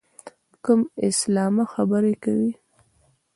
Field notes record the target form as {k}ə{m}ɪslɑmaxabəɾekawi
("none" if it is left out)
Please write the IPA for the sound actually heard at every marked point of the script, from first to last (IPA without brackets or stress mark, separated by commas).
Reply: k, m